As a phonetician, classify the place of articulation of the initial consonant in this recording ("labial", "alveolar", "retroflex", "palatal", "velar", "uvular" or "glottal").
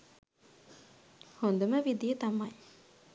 glottal